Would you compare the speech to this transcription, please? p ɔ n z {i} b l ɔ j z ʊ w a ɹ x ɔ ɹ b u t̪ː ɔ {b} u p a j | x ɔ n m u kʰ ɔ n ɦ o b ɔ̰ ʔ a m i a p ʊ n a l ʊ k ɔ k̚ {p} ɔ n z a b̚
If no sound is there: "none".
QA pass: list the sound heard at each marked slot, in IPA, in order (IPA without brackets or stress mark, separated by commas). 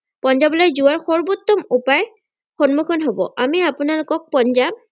a, m, p